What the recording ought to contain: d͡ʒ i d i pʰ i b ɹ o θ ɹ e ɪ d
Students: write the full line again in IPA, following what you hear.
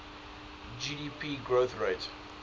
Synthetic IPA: d͡ʒ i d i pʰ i ɡ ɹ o θ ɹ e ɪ t